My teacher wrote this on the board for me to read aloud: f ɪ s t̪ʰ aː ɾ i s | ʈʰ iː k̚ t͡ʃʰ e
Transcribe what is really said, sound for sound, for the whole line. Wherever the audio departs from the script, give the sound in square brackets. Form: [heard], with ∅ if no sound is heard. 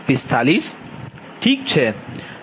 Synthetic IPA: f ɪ s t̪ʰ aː [l] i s | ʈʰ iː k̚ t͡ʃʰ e